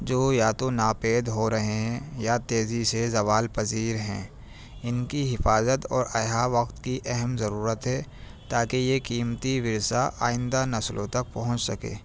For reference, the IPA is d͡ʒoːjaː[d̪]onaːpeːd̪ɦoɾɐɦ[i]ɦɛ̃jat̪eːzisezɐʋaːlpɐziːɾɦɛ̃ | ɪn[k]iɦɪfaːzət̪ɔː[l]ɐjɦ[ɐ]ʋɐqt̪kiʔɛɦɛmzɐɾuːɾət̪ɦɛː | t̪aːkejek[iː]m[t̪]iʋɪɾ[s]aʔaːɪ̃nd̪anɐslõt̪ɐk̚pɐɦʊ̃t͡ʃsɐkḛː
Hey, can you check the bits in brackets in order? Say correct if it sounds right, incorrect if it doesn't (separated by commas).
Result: incorrect, incorrect, correct, incorrect, incorrect, correct, correct, correct